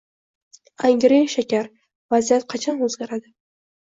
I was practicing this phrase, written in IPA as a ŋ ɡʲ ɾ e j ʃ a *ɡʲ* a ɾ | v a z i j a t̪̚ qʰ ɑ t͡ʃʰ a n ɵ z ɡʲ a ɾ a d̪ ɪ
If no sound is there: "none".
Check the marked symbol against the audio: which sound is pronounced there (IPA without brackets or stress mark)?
kʲ